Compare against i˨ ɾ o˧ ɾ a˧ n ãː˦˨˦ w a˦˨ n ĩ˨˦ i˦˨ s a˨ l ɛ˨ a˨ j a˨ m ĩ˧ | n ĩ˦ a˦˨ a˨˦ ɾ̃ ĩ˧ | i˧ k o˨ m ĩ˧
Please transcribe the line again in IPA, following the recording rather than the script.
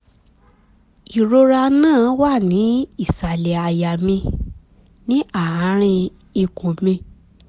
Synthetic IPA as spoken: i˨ ɾ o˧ ɾ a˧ n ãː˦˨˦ w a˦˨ n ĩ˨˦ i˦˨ s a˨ l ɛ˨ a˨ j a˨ m ĩ˧ | n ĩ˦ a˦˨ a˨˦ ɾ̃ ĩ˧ | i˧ k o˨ m ĩ˧